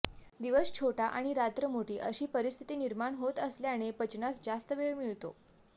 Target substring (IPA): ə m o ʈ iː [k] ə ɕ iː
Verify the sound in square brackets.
incorrect: ʔ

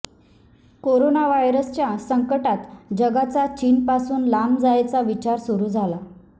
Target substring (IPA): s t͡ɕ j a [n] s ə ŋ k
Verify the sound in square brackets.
incorrect: none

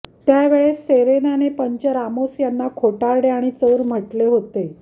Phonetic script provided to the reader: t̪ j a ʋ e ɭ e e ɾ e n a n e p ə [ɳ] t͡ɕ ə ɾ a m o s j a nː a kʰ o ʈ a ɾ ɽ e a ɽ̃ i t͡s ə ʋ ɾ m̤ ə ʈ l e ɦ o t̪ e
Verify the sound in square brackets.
incorrect: ɲ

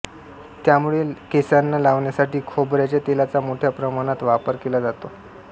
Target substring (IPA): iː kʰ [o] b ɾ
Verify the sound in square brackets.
correct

